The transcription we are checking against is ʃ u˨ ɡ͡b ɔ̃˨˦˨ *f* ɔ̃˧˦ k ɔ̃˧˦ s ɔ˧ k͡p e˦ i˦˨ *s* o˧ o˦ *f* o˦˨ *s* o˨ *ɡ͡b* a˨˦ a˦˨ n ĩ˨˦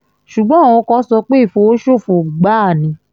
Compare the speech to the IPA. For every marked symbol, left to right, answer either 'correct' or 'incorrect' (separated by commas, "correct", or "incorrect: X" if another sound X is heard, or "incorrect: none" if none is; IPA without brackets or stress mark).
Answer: incorrect: none, incorrect: f, incorrect: ʃ, incorrect: f, correct